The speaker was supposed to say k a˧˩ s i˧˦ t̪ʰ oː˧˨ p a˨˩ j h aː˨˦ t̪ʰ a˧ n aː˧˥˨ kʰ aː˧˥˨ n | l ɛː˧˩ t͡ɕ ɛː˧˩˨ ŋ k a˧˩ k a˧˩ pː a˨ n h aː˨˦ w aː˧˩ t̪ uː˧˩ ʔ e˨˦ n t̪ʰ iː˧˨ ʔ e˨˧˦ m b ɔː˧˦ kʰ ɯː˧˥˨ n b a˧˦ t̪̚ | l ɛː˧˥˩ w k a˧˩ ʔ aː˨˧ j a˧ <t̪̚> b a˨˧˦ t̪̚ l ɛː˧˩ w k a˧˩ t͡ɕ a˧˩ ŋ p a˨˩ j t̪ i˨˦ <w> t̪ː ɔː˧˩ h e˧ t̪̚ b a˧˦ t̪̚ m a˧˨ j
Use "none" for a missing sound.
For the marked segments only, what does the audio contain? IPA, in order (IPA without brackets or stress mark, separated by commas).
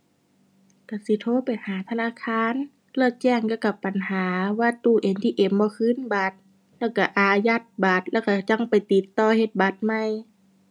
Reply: t̪̚, none